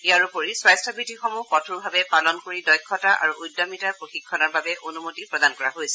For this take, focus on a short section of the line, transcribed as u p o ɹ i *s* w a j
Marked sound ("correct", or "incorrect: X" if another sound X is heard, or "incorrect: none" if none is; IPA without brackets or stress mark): correct